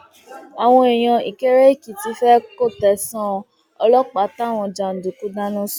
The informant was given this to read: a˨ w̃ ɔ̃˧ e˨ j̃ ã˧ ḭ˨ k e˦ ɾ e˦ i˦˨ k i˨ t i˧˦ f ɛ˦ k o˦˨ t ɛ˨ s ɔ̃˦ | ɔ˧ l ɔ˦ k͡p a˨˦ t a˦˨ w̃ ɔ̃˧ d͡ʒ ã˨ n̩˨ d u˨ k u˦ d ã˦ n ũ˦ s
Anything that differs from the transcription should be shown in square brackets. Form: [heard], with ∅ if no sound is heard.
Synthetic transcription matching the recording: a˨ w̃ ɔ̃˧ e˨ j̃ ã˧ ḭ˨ k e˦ ɾ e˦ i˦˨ k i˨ t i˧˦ f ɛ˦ k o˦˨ t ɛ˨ s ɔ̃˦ | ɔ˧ l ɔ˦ k͡p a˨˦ t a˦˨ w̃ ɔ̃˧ d͡ʒ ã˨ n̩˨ d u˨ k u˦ d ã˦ n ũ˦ s